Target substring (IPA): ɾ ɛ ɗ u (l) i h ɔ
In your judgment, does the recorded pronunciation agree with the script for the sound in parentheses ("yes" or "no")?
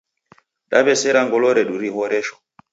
no